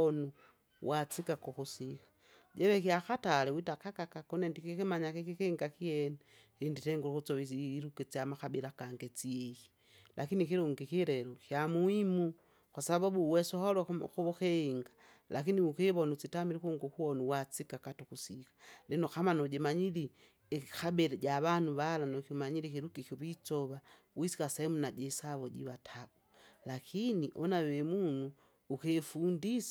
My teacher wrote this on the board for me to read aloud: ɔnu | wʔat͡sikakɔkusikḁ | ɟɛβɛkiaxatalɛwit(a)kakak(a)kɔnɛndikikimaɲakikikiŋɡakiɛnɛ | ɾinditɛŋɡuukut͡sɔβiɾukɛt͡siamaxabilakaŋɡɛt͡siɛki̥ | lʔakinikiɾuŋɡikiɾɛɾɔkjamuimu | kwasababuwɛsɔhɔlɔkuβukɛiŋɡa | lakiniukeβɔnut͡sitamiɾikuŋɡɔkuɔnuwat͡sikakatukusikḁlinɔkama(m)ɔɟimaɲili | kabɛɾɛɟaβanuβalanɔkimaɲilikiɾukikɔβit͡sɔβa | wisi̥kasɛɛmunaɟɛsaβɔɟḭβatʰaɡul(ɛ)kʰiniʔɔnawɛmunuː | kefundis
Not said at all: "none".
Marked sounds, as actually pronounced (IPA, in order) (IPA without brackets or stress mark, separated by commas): a, a, n, a